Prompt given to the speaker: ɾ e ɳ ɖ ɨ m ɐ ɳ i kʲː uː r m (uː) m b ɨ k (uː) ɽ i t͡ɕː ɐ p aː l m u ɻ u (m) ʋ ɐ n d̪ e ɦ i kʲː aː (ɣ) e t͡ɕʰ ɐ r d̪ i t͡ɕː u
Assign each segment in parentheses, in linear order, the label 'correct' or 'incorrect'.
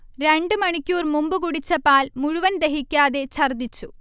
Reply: incorrect, incorrect, incorrect, incorrect

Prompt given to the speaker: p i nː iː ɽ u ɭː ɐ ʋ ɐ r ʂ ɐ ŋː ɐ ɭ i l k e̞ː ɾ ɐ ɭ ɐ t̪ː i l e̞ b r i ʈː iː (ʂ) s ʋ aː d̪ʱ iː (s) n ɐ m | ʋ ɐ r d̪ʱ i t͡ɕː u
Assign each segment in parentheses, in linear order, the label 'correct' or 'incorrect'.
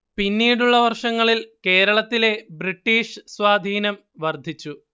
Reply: correct, incorrect

